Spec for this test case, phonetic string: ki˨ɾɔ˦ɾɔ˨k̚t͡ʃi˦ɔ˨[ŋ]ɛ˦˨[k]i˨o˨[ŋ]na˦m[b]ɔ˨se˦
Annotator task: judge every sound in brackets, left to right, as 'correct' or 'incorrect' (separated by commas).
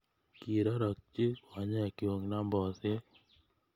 incorrect, correct, correct, correct